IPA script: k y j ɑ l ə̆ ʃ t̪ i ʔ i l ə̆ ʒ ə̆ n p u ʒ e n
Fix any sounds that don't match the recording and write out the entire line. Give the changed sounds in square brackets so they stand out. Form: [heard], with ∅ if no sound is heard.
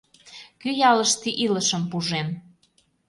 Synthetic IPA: k y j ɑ l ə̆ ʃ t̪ i ʔ i l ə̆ [ʃ] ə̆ [m] p u ʒ e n